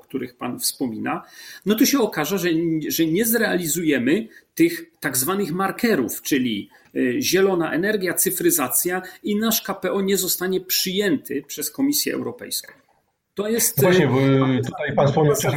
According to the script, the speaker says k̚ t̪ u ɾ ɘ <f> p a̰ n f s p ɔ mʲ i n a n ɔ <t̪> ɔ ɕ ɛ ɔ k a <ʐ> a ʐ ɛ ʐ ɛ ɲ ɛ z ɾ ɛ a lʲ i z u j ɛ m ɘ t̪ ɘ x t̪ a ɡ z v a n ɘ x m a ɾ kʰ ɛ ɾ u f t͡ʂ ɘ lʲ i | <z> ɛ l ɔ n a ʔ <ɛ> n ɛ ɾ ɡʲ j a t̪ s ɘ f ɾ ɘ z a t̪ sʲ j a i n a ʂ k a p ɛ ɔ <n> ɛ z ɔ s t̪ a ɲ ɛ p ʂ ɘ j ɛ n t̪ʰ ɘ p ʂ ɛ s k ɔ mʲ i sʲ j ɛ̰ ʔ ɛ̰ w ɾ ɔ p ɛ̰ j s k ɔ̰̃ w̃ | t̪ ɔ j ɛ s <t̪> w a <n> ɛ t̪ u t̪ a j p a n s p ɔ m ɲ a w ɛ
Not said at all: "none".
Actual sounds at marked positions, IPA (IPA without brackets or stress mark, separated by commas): x, t̪, ʐ, ʑ, ɛ, ɲ, t̪, ɲ